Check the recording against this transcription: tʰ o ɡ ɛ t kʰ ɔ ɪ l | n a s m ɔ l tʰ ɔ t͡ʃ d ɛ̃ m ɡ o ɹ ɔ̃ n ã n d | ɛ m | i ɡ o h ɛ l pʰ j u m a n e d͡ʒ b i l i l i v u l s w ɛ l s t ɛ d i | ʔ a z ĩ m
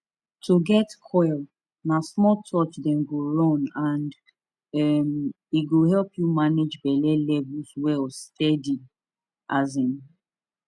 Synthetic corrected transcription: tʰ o ɡ ɛ t kʰ ɔ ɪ l | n a s m ɔ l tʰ ɔ t͡ʃ d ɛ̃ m ɡ o ɹ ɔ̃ n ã n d | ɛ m | i ɡ o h ɛ l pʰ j u m a n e d͡ʒ b ɛ l ɛ l ɛ v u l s w ɛ l s t ɛ d i | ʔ a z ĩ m